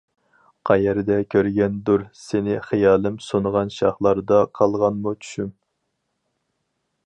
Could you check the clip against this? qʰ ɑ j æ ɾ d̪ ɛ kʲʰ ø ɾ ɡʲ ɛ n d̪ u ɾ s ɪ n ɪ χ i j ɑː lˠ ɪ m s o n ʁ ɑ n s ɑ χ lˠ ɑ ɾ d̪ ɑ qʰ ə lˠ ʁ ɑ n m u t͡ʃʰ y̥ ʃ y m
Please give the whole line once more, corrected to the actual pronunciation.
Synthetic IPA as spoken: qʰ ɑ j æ ɾ d̪ ɛ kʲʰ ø ɾ ɡʲ ɛ n d̪ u ɾ s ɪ n ɪ χ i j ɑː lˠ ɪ m s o n ʁ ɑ n ʃ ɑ χ lˠ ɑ ɾ d̪ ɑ qʰ ɑ lˠ ʁ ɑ n m u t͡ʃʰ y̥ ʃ y m